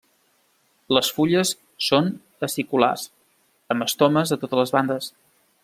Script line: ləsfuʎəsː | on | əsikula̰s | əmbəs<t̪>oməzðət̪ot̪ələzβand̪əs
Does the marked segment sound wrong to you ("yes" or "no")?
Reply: no